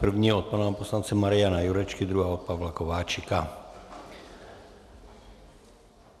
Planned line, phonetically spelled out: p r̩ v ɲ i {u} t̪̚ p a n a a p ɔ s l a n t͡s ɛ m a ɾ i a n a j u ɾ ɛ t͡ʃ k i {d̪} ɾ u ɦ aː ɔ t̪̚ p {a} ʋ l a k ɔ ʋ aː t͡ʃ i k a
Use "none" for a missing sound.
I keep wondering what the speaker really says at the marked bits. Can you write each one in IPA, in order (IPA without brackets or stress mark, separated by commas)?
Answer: ɔ, d̪, a